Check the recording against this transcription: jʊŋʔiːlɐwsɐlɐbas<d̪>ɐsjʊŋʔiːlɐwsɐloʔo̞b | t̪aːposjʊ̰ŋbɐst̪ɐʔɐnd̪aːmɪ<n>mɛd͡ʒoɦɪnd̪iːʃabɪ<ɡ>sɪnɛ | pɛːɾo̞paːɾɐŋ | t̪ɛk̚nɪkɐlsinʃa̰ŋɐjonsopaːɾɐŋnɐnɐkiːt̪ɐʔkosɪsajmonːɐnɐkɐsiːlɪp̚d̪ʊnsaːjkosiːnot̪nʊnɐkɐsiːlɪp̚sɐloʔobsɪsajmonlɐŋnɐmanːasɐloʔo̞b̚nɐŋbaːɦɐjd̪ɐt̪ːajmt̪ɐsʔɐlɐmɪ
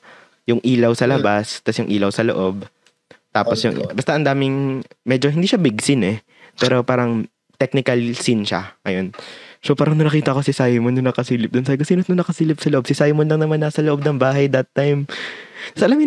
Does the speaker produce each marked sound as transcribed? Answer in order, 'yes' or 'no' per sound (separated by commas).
no, no, yes